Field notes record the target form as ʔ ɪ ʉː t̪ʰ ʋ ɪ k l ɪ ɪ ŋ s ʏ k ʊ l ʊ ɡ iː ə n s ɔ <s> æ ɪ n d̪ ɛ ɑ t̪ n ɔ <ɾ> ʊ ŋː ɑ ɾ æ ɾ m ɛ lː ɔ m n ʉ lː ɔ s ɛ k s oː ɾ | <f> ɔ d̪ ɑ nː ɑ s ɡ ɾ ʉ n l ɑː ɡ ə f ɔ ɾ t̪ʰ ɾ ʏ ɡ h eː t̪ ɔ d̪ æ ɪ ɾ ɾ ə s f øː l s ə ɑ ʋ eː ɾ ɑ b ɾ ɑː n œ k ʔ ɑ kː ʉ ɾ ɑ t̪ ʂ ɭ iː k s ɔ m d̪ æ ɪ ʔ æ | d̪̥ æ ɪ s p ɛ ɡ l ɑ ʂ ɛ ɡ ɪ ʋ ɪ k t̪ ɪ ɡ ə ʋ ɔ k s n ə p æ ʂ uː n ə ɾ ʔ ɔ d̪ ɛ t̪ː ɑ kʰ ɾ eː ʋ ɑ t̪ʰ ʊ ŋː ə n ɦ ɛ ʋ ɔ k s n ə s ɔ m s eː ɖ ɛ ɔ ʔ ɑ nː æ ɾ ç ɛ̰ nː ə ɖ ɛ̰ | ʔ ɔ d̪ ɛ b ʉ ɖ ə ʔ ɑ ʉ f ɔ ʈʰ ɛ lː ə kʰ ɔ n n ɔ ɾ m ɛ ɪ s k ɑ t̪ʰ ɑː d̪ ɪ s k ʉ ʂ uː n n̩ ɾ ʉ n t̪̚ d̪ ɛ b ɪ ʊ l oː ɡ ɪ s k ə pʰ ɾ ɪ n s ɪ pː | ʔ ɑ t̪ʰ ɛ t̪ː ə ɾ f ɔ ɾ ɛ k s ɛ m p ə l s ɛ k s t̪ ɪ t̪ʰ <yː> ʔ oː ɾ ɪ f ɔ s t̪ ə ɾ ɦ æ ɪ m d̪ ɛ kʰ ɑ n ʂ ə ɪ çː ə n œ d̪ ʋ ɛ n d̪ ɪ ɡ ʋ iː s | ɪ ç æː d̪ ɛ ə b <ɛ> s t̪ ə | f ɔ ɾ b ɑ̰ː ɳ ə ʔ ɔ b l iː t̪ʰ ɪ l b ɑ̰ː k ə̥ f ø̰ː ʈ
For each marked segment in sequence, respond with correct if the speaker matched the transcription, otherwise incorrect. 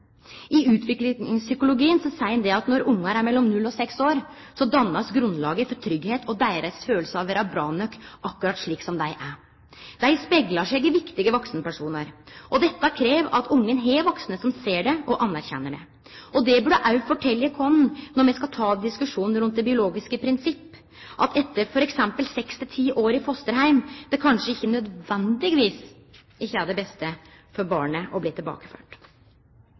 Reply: correct, correct, incorrect, incorrect, correct

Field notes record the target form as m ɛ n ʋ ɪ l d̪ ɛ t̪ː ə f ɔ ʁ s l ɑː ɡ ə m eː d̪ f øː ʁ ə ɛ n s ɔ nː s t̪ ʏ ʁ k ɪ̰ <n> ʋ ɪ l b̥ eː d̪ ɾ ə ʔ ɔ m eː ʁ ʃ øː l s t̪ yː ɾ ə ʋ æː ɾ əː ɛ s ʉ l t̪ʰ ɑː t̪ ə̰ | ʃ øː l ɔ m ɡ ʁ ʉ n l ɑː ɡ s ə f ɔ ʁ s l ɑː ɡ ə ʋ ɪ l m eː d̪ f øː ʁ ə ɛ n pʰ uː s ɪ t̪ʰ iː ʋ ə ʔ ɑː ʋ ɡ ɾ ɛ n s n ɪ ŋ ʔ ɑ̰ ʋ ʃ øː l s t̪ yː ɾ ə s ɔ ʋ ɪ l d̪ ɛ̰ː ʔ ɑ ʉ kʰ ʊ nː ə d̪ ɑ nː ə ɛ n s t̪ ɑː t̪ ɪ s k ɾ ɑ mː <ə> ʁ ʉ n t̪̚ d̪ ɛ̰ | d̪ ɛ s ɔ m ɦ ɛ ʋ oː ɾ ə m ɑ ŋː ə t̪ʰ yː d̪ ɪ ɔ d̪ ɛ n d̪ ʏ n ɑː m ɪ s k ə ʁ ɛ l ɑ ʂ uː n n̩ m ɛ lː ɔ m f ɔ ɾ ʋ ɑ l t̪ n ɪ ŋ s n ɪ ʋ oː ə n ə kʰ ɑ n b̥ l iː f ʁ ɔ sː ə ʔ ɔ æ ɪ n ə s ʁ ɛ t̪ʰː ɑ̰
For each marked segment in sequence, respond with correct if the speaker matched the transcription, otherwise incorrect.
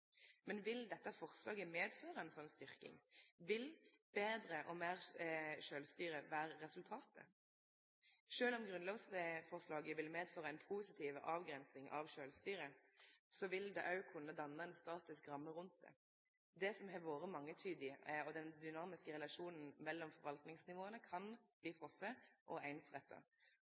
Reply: incorrect, correct

